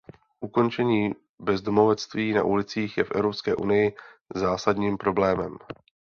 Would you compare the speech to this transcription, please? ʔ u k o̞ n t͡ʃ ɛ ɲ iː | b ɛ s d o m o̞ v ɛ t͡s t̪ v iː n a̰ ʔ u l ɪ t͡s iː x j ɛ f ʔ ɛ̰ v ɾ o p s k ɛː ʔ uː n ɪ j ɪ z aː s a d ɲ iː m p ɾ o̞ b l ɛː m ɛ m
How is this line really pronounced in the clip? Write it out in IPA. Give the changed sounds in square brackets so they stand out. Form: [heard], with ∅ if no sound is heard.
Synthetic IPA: ʔ u k o̞ n t͡ʃ ɛ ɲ iː | b ɛ [z] d o m o̞ v ɛ t͡s t̪ v iː n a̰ ʔ u l ɪ t͡s iː x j ɛ f ʔ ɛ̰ v ɾ o p s k ɛː ʔ [u] n ɪ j ɪ z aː s a d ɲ iː m p ɾ o̞ b l ɛː m ɛ m